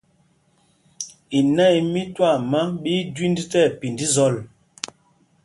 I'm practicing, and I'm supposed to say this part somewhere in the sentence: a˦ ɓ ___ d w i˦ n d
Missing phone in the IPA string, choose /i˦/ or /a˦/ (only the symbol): i˦